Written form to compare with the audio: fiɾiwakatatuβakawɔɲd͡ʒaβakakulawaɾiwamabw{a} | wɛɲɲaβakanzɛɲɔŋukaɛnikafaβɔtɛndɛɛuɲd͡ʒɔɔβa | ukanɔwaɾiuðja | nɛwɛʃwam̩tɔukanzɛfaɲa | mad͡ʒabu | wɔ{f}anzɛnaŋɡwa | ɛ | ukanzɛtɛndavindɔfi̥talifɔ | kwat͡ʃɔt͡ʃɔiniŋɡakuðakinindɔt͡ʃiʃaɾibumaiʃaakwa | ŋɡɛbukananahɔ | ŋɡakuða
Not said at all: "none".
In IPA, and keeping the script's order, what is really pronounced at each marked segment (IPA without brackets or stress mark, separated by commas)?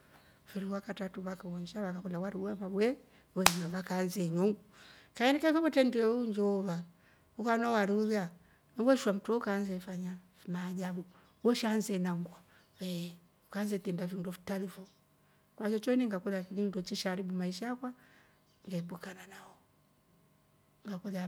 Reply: ɛ, ʃ